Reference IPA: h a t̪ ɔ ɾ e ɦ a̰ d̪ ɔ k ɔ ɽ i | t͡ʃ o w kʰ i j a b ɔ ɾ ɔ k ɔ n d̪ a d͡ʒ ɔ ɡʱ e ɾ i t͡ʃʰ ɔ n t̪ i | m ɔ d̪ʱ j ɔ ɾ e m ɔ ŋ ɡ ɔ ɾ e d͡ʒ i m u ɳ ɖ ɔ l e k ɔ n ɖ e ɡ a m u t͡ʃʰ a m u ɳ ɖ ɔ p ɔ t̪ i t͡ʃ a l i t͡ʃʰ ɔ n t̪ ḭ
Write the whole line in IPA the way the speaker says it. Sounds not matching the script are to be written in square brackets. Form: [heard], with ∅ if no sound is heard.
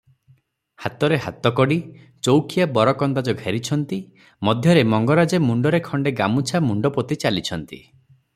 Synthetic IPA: h a t̪ ɔ ɾ e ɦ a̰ [t̪] ɔ k ɔ ɽ i | t͡ʃ o w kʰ i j a b ɔ ɾ ɔ k ɔ n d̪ a d͡ʒ ɔ ɡʱ e ɾ i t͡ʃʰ ɔ n t̪ i | m ɔ d̪ʱ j ɔ ɾ e m ɔ ŋ ɡ ɔ ɾ [a] d͡ʒ [e] m u ɳ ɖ ɔ [ɾ] e [kʰ] ɔ [ɳ] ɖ e ɡ a m u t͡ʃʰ a m u ɳ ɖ ɔ p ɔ t̪ i t͡ʃ a l i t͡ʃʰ ɔ n t̪ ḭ